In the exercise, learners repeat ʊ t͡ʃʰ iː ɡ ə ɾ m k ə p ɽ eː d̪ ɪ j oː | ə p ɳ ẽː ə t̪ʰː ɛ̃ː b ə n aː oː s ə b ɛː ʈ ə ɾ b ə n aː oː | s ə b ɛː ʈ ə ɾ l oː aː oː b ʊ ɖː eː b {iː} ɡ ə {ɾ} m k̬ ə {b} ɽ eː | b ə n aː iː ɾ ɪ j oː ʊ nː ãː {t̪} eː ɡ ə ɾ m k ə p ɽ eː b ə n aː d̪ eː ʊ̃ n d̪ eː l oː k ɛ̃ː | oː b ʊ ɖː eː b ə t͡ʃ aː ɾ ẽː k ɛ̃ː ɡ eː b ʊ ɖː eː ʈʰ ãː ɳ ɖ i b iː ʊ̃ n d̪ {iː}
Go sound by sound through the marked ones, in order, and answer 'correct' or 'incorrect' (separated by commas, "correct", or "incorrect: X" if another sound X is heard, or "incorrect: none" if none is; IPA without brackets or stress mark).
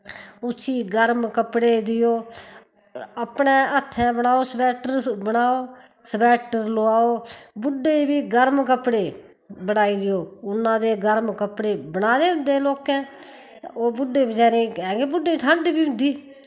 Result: correct, correct, incorrect: p, incorrect: d̪, correct